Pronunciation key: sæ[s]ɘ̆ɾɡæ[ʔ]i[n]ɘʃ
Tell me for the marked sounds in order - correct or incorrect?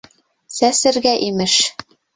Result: correct, correct, incorrect: m

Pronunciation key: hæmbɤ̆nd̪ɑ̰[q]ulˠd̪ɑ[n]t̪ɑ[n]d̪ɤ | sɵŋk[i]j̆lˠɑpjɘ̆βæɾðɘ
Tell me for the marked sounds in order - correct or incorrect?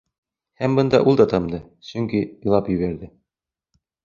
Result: incorrect: ʔ, incorrect: none, incorrect: m, correct

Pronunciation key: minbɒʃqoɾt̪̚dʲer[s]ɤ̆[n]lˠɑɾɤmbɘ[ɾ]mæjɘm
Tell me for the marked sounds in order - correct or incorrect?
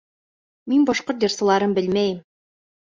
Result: correct, incorrect: none, incorrect: l

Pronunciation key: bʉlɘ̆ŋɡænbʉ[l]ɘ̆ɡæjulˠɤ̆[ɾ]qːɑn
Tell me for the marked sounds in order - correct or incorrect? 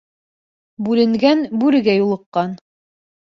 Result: incorrect: ɾ, incorrect: none

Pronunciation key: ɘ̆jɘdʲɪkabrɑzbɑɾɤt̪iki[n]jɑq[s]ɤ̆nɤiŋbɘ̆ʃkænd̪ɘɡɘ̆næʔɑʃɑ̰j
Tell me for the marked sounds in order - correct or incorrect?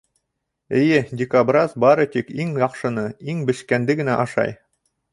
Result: incorrect: ŋ, incorrect: ʃ

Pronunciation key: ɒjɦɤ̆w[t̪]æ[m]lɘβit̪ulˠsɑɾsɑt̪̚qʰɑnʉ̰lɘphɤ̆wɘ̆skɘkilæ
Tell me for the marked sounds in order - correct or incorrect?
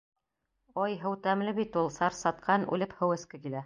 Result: correct, correct

